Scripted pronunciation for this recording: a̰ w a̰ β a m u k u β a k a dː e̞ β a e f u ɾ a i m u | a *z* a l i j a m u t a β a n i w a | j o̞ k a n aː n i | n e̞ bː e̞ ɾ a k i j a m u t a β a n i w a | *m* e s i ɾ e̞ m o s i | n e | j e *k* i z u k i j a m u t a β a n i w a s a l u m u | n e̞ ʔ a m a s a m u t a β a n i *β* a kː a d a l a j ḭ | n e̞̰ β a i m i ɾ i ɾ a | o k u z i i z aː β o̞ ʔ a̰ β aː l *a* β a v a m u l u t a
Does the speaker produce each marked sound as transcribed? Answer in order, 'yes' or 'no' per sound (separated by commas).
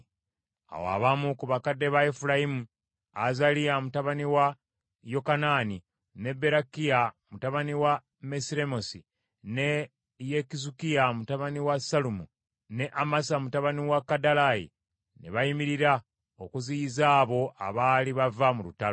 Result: yes, yes, yes, no, no